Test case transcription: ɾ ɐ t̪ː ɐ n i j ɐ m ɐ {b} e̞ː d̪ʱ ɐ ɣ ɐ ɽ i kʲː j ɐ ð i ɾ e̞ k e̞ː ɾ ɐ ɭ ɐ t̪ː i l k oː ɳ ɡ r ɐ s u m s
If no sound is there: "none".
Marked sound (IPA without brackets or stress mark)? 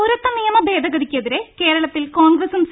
b